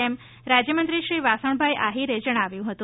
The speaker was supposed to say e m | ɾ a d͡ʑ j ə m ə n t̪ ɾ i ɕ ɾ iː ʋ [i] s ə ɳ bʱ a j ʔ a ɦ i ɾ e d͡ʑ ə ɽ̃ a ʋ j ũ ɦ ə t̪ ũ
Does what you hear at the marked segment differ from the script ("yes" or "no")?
yes